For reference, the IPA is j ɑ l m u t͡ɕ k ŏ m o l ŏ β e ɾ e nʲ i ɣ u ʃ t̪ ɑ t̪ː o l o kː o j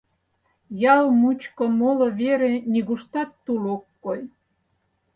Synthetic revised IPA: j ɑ l m u t͡ɕ k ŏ m o l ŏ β e ɾ e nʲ i ɣ u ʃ t̪ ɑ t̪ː u l o kː o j